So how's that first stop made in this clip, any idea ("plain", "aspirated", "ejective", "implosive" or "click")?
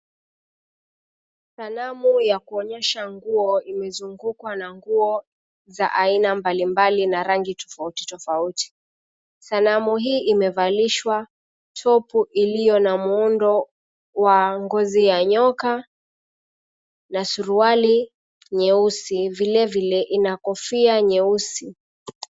plain